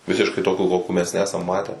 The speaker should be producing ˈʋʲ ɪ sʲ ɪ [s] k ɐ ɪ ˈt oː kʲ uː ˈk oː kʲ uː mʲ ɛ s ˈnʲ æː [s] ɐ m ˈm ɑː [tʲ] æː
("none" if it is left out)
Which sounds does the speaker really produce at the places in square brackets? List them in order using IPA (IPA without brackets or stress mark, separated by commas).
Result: ʃ, s, tʲ